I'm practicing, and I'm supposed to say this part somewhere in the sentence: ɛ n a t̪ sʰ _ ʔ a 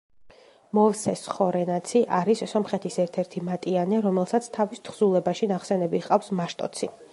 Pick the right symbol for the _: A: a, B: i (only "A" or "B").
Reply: B